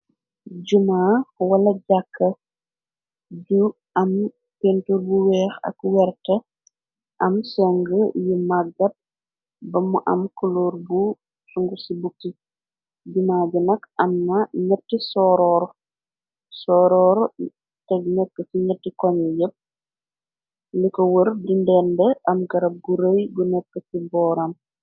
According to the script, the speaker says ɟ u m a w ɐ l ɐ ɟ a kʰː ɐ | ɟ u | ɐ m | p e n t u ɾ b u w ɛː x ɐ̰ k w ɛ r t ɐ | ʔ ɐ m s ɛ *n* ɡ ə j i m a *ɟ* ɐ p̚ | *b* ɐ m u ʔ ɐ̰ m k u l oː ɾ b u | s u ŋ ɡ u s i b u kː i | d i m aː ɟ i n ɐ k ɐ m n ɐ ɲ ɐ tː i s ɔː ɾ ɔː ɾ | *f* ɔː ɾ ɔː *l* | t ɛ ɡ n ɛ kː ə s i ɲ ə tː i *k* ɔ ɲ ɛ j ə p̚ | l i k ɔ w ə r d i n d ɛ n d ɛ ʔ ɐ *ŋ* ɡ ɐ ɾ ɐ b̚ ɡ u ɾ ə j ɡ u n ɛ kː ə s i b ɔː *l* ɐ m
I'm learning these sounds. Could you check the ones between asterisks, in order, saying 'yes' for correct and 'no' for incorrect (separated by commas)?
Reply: no, no, yes, no, no, yes, no, no